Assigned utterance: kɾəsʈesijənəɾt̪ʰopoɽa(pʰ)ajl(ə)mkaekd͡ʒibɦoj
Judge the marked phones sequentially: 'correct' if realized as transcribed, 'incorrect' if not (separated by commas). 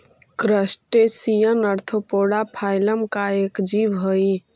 correct, correct